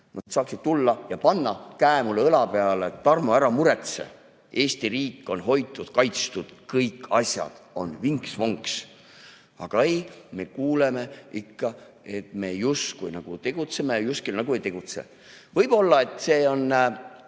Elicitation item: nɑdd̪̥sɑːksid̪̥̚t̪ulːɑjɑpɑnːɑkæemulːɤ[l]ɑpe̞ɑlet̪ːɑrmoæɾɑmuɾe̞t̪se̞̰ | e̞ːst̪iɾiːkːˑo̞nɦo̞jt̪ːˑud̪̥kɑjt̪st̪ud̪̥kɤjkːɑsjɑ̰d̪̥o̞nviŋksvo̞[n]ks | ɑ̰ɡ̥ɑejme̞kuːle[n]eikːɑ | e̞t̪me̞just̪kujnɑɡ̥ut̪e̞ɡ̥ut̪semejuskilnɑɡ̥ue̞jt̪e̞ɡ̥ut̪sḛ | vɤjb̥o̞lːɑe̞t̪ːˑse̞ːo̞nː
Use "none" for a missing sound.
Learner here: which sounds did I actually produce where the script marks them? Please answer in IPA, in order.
l, ŋ, m

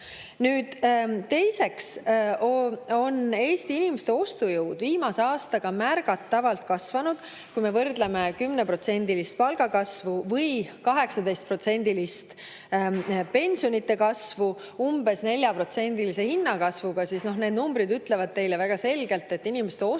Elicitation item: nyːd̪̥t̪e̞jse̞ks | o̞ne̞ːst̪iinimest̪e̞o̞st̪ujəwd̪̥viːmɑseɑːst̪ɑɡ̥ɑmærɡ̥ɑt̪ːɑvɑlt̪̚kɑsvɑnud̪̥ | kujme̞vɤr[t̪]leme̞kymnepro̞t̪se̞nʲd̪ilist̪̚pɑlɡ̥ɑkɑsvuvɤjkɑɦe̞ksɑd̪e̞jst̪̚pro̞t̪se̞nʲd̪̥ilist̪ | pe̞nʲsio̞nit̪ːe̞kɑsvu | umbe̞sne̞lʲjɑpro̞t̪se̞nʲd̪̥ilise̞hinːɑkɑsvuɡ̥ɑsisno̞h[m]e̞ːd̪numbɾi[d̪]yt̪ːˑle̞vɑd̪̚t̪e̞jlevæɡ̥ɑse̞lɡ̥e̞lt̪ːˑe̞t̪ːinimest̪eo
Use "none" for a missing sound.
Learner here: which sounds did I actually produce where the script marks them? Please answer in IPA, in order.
d̪, n, d̪

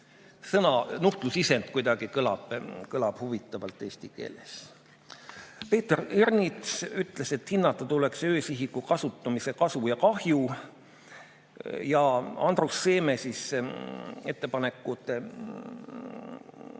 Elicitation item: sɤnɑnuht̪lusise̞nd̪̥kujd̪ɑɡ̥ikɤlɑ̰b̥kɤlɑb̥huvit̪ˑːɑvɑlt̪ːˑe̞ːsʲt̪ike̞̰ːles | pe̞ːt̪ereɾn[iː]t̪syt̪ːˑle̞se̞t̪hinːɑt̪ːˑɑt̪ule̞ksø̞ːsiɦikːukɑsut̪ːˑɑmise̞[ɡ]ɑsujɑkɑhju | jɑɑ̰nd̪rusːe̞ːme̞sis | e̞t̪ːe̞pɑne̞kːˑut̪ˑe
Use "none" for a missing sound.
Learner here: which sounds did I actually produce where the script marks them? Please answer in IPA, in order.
i, k

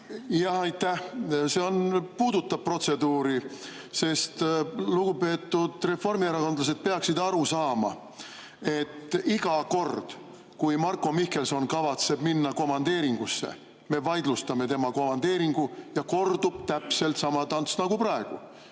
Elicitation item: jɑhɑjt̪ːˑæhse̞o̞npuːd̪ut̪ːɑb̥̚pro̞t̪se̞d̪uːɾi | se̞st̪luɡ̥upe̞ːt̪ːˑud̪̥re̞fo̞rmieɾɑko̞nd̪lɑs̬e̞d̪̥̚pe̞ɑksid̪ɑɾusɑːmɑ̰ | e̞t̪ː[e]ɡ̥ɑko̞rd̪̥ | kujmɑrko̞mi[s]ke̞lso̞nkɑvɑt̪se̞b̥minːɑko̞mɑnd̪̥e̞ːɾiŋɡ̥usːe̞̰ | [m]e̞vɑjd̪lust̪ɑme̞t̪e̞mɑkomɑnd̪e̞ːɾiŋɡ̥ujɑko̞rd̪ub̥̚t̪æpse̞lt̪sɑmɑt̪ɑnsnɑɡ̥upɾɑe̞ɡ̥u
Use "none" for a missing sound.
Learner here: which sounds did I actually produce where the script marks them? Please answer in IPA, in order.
i, h, m

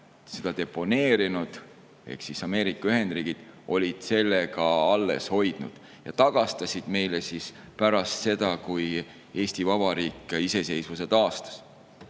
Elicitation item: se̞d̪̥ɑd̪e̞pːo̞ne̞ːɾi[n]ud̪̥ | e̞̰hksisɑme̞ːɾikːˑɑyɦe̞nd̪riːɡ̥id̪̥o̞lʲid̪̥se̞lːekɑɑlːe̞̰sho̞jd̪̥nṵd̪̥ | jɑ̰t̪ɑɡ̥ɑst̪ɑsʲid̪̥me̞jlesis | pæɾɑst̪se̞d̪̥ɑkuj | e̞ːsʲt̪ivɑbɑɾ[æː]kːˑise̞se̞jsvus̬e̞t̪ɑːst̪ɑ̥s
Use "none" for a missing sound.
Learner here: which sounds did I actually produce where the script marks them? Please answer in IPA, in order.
n, iː

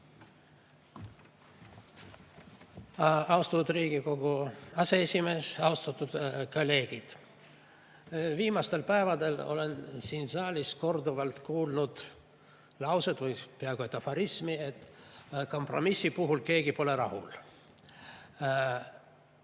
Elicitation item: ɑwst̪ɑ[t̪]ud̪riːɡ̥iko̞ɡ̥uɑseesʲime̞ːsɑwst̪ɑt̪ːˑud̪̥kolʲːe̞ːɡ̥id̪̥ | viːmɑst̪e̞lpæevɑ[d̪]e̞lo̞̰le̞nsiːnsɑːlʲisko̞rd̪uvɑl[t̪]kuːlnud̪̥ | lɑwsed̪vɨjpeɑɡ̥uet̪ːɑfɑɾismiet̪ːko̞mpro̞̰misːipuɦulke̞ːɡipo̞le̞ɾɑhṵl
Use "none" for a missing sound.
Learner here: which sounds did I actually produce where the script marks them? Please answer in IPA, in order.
t̪, d̪, t̪

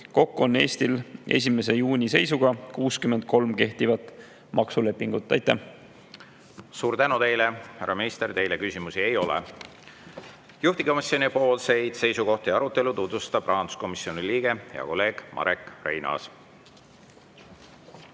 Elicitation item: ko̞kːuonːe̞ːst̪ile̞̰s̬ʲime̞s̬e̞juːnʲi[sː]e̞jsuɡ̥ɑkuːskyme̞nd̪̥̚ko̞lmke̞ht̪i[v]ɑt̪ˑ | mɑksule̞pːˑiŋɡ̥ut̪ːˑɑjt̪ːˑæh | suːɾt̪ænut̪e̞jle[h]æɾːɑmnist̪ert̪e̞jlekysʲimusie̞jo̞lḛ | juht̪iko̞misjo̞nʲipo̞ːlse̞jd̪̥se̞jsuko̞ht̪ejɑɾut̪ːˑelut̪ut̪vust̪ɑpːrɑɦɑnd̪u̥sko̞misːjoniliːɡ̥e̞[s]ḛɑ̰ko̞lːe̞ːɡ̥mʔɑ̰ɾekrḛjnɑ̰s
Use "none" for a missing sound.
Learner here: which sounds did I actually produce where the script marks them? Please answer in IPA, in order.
s, v, h, h

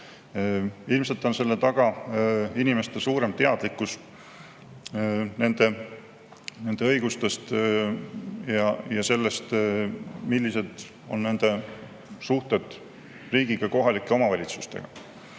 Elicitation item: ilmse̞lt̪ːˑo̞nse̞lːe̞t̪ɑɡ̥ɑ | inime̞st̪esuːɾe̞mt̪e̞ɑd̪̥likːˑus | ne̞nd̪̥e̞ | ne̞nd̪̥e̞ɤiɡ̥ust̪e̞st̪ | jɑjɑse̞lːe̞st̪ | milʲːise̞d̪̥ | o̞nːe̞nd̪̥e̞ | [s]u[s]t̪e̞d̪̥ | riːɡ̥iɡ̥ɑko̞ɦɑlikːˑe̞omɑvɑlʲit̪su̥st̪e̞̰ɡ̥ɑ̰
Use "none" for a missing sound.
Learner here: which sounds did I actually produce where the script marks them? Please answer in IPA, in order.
s, h

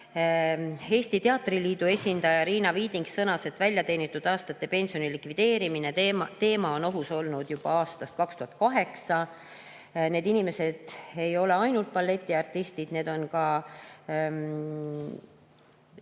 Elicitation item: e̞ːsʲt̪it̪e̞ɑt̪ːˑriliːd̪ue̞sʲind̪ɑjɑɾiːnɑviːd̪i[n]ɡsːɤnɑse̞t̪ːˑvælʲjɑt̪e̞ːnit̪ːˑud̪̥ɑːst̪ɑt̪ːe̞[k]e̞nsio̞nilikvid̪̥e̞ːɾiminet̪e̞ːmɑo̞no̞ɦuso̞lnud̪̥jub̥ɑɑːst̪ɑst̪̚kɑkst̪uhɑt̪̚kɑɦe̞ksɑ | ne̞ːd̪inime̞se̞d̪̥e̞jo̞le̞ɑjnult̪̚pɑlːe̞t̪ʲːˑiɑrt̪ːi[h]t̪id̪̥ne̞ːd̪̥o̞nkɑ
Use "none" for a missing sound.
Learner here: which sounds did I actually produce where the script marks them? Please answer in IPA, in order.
ŋ, p, s

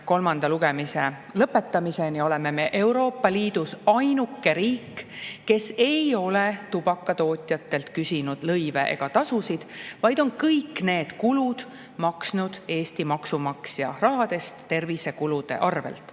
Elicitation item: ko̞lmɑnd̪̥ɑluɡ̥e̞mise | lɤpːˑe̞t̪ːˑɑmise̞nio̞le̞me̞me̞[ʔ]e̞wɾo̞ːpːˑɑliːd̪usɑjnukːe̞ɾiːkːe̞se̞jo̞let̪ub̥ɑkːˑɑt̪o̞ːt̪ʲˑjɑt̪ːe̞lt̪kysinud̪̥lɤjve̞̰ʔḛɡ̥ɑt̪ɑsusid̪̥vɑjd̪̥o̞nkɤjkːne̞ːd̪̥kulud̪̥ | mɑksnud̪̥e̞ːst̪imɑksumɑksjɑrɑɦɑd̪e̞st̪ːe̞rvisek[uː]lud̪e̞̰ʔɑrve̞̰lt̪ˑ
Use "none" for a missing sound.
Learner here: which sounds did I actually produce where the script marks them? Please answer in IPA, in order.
ʔ, u

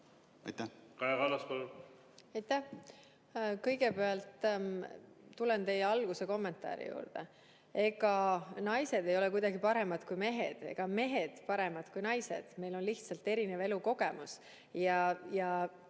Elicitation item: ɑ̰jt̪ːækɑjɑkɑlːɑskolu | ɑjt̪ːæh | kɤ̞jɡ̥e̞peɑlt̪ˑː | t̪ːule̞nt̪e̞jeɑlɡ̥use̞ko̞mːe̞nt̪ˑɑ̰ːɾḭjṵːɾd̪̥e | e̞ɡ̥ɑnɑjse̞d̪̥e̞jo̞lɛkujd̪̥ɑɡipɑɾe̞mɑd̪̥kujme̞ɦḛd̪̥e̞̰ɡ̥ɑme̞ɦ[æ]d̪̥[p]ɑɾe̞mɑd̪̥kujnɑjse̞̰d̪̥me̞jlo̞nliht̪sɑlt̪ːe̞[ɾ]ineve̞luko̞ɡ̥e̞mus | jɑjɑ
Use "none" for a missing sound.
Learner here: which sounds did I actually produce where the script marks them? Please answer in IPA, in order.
e, p, ɾ

